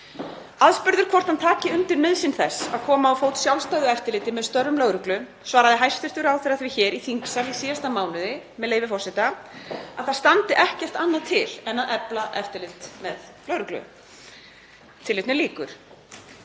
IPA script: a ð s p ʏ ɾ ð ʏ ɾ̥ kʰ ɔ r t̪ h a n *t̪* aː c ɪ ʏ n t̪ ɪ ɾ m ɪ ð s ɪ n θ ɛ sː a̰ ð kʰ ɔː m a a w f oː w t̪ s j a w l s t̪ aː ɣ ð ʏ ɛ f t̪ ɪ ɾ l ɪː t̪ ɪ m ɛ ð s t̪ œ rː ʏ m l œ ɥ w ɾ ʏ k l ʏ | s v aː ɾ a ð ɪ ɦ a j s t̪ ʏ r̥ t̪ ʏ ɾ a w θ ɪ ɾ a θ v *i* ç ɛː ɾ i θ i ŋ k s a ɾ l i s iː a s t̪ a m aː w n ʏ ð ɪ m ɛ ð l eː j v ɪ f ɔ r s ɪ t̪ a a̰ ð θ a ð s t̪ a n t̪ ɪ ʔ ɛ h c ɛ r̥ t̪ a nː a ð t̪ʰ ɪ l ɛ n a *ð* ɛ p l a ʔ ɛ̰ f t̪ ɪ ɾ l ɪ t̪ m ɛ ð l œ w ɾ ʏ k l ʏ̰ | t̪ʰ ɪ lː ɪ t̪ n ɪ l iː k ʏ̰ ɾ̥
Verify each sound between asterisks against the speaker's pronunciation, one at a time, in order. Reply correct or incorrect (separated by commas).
incorrect, incorrect, correct